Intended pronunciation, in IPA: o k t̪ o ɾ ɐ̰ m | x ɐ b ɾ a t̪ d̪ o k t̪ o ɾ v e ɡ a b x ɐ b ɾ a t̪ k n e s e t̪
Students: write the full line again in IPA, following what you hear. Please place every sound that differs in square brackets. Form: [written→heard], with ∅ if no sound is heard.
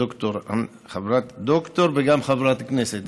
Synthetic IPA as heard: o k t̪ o ɾ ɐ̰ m | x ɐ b ɾ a t̪ d̪ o k t̪ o ɾ [v→b] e ɡ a [b→m] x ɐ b ɾ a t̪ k n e s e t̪